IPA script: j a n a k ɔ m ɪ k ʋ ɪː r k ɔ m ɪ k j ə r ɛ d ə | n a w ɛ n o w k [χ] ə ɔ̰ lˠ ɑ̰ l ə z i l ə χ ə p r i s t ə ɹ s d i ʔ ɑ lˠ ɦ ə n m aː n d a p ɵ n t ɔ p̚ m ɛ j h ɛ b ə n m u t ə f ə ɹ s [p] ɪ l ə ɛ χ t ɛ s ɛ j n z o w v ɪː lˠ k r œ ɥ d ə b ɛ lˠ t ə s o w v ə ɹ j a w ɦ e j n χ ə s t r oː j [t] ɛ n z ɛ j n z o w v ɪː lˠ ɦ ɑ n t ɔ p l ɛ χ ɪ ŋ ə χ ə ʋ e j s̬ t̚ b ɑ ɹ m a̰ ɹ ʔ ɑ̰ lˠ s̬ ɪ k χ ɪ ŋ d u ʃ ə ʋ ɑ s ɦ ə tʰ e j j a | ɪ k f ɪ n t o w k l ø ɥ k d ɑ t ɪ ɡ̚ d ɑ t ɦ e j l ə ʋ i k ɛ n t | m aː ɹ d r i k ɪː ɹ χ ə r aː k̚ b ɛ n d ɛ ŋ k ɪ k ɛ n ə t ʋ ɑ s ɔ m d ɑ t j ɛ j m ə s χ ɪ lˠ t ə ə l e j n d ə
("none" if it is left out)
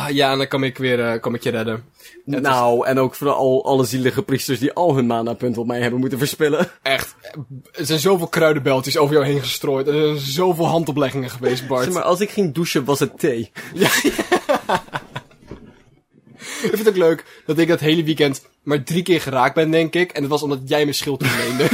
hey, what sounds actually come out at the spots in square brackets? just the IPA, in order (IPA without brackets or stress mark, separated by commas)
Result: f, p, t